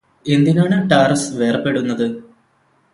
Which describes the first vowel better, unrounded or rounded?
unrounded